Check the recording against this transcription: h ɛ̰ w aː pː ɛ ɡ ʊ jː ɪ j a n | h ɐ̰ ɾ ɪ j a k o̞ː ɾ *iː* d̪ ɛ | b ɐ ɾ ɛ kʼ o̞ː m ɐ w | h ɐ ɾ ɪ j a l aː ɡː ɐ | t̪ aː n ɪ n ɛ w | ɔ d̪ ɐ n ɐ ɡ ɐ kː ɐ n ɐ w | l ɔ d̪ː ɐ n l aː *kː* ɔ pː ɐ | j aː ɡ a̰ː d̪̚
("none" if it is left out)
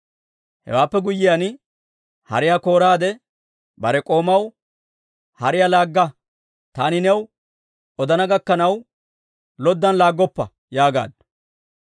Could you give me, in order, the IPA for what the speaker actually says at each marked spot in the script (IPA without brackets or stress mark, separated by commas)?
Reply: aː, ɡː